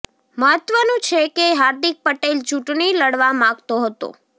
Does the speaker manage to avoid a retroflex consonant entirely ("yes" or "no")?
no